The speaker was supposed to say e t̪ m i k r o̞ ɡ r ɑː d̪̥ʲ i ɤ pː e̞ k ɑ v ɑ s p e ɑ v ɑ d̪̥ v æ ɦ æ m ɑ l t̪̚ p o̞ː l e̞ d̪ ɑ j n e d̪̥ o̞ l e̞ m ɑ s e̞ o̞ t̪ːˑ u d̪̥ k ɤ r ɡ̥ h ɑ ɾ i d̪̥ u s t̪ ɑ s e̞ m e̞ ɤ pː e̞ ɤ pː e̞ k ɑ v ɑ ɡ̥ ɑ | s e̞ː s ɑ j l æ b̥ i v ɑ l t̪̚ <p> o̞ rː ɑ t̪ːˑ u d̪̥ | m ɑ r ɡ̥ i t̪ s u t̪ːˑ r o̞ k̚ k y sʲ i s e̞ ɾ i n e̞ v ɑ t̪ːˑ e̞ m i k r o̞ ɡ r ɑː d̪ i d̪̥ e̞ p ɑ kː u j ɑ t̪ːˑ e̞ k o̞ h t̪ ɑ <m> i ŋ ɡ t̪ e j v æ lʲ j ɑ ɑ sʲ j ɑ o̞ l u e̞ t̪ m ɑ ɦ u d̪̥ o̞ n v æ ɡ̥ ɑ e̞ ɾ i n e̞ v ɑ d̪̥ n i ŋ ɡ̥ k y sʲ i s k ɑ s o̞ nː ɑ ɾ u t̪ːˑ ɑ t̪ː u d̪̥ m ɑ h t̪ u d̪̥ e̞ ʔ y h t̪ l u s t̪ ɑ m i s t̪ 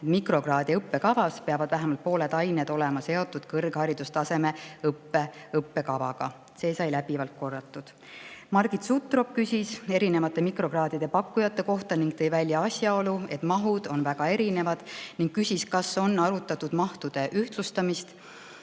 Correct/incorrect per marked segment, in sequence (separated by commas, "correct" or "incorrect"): incorrect, incorrect